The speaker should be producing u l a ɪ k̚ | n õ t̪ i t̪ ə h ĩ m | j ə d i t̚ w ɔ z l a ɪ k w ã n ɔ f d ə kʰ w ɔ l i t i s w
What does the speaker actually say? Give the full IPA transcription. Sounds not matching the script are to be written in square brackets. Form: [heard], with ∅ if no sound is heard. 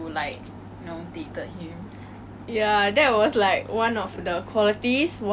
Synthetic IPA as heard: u l a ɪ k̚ | n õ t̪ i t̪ ə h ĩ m | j [a] d [ɛ] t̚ w ɔ [s] l a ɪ k w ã n ɔ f d ə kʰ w ɔ l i t i s w

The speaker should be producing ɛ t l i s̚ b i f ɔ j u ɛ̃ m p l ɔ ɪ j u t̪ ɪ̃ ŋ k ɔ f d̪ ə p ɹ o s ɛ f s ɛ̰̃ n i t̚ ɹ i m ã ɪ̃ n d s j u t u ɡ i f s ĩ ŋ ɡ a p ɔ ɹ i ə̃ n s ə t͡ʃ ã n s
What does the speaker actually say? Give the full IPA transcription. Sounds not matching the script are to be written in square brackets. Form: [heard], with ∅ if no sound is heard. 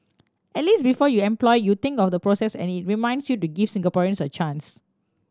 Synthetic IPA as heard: ɛ t l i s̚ b i f ɔ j u ɛ̃ m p l ɔ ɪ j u t̪ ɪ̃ ŋ k ɔ f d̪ ə p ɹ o s ɛ [∅] s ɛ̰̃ n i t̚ ɹ i m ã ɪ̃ n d s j u t u ɡ i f s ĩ ŋ ɡ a p ɔ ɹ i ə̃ n s ə t͡ʃ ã n s

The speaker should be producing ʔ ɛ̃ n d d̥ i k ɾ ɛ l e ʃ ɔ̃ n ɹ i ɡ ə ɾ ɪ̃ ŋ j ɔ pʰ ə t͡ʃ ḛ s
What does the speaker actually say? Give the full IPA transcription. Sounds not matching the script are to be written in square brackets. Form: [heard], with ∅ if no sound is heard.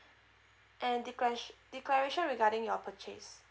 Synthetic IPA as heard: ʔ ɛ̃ n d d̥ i k [l] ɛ [ɹ] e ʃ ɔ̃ n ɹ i ɡ [a] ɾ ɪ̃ ŋ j ɔ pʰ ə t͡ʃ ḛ s

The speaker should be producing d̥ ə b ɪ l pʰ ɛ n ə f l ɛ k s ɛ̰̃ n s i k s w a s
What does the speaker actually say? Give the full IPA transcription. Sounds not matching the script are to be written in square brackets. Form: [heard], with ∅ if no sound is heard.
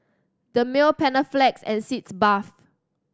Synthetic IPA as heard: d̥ ə [m] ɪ l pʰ ɛ n ə f l ɛ k s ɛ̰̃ n s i [t] s [b] a [f]

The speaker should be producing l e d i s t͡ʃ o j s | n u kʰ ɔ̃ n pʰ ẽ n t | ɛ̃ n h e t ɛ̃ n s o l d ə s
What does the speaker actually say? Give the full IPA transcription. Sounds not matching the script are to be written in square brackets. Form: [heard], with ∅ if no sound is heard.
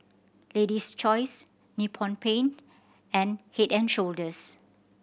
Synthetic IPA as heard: l e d i s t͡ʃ [ɔ] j s | n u [pʰ] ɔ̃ n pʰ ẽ n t | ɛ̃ n h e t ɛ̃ n [ʃ] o l d ə s

